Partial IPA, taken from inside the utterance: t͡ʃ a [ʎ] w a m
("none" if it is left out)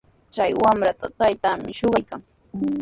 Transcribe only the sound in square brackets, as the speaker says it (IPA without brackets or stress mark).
j